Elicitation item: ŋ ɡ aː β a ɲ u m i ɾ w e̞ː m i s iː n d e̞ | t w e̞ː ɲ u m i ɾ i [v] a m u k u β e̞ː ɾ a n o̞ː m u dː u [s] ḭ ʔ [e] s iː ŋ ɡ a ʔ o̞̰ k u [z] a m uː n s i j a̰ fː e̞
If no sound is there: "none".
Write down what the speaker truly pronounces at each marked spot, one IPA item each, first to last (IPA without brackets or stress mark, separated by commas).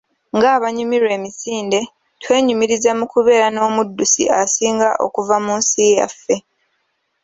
z, s, a, v